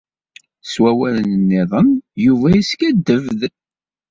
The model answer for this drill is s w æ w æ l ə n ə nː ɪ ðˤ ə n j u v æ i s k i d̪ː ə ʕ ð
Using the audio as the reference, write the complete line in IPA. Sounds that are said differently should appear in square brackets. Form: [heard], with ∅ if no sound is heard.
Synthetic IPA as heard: s w æ w æ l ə n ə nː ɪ ðˤ ə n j u v æ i s k [æ] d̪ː ə [v] ð